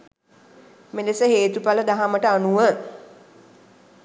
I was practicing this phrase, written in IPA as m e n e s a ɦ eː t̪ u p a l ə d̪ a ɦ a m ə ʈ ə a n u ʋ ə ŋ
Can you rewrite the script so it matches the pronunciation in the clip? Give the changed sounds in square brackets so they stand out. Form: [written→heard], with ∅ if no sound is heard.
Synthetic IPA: m e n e s [a→ə] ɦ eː t̪ u p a l ə d̪ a ɦ a m ə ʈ ə a n u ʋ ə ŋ